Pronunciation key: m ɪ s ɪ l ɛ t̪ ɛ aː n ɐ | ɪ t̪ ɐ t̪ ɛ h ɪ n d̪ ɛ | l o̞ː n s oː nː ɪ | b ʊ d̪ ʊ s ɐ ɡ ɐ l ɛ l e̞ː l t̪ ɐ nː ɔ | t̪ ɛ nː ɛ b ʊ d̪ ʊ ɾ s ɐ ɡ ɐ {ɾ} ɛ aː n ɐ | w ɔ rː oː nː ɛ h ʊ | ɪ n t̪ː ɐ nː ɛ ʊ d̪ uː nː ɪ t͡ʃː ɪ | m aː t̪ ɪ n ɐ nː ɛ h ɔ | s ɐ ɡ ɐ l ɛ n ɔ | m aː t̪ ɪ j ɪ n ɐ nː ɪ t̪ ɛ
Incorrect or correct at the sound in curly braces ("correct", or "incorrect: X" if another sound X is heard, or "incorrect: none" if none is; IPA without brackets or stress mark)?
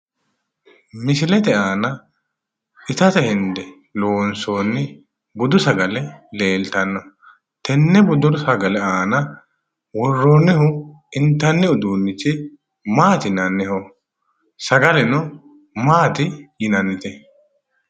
incorrect: l